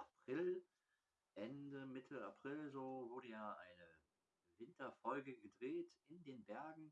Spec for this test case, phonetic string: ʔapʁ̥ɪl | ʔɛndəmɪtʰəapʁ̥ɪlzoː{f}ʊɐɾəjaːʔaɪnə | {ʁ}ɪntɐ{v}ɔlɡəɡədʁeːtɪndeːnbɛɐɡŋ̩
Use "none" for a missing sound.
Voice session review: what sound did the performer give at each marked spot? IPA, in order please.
v, v, f

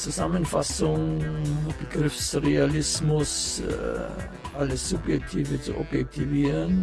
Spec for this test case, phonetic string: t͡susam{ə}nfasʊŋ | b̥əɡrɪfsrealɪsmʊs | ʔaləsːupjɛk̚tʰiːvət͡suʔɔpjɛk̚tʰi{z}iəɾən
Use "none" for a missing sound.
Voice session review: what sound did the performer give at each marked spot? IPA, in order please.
ə, v

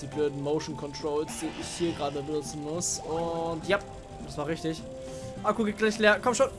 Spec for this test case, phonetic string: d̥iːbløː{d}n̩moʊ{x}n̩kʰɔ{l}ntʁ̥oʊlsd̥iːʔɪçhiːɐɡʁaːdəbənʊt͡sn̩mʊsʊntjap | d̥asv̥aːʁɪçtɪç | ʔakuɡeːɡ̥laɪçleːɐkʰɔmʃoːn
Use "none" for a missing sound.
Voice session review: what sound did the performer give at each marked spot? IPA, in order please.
d, ʃ, none

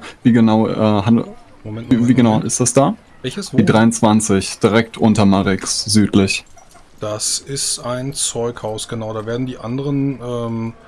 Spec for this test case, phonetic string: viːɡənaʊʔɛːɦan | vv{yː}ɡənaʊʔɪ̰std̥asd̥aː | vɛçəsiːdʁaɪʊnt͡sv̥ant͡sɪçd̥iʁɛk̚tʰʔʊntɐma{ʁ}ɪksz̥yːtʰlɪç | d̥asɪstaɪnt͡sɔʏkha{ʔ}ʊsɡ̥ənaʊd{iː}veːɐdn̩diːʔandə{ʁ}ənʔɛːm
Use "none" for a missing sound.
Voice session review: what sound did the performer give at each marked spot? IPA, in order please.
iː, ʁ, none, aː, ʁ

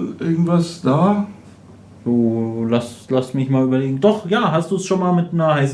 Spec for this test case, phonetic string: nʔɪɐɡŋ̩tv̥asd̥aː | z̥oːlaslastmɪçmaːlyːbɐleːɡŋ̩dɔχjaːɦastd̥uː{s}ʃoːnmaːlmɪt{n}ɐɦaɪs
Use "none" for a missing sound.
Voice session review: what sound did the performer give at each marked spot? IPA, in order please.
s, n

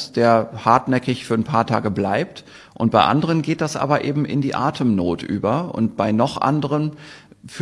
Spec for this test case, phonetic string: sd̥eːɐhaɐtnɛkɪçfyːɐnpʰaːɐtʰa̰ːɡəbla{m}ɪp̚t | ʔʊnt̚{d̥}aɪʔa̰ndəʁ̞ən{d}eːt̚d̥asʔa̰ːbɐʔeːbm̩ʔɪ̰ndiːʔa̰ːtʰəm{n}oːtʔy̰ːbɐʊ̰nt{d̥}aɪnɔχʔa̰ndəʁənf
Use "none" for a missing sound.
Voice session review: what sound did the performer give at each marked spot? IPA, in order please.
none, b̥, ɡ, n, b̥

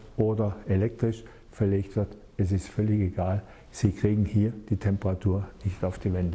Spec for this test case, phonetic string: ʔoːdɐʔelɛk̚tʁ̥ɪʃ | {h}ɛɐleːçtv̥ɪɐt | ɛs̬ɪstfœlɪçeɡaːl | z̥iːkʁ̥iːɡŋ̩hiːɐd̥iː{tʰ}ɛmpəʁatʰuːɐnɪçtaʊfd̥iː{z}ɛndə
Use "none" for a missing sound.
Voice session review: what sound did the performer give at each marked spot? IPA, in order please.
f, tʰ, v

